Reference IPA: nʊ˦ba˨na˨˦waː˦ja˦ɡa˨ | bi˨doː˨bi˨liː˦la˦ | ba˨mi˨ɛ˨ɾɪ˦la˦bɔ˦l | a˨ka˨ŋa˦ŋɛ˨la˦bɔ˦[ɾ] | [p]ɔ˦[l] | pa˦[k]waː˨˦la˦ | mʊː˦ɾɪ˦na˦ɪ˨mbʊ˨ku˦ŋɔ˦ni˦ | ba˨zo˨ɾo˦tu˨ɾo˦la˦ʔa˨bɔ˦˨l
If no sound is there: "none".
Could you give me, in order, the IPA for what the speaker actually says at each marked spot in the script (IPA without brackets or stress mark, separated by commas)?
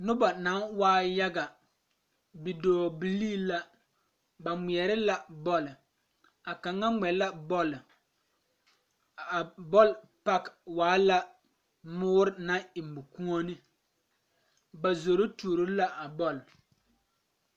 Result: l, b, l, k